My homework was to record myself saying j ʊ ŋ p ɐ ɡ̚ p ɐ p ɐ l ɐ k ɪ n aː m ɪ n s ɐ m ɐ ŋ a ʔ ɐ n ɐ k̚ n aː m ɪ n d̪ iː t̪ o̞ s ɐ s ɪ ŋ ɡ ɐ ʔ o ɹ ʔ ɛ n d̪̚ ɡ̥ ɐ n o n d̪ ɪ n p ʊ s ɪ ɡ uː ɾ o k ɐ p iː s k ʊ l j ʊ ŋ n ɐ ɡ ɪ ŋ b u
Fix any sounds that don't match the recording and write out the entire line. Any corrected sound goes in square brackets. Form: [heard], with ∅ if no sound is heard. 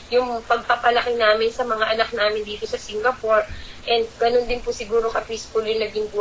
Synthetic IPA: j ʊ ŋ p ɐ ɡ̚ p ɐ p ɐ l ɐ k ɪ n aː m ɪ n s ɐ m ɐ ŋ a ʔ ɐ n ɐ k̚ n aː m ɪ n d̪ iː t̪ o̞ s ɐ s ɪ ŋ ɡ ɐ [p] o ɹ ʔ ɛ n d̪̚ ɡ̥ ɐ n o n d̪ ɪ n p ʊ s ɪ ɡ uː ɾ o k ɐ p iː s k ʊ l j ʊ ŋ n ɐ ɡ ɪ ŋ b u